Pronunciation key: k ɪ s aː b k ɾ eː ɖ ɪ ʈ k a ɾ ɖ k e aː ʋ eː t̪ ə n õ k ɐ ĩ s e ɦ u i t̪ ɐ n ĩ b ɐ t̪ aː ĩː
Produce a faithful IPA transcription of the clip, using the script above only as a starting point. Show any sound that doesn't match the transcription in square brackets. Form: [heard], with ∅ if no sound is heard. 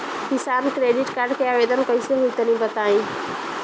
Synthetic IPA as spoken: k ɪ s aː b k ɾ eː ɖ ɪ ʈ k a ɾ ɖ k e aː ʋ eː [d̪] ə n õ k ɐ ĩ s e ɦ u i t̪ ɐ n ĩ b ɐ t̪ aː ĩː